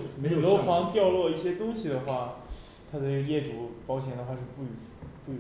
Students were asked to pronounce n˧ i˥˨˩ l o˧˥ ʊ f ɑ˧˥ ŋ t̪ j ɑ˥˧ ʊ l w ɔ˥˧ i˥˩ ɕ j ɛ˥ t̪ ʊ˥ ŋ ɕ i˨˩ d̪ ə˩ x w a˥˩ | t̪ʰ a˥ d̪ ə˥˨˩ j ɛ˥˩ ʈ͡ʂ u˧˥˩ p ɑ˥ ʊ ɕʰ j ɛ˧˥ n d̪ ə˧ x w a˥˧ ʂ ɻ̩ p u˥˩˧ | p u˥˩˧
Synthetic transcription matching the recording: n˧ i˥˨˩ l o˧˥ ʊ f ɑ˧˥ ŋ t̪ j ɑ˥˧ ʊ l w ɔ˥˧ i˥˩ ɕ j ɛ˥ t̪ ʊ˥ ŋ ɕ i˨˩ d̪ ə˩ x w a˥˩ | t̪ʰ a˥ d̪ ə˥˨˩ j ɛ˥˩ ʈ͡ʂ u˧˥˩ p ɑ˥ ʊ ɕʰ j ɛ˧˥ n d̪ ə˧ x w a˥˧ ʂ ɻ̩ p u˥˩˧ | p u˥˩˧